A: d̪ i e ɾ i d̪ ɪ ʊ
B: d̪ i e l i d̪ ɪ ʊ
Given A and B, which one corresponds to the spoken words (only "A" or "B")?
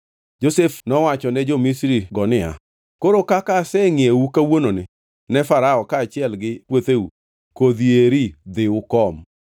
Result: A